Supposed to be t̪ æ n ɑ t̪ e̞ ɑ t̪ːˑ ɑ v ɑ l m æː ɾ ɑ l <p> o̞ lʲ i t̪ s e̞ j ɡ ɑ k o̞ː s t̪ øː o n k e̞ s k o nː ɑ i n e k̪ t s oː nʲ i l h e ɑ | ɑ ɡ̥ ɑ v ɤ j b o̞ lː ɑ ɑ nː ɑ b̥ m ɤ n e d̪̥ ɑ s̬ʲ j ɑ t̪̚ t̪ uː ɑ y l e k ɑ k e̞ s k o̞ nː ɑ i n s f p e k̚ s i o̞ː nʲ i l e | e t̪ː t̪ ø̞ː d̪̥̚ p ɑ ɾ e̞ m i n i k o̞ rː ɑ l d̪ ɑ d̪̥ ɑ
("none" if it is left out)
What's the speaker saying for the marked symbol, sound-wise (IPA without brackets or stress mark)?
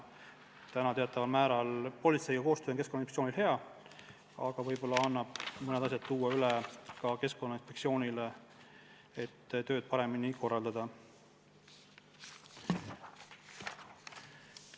p